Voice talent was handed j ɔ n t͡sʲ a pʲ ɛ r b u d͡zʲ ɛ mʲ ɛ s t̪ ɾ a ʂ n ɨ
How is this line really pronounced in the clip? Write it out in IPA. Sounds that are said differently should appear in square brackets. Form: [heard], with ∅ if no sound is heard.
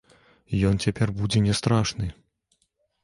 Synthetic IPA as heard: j ɔ n t͡sʲ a pʲ ɛ r b u d͡zʲ ɛ [nʲ] ɛ s t̪ ɾ a ʂ n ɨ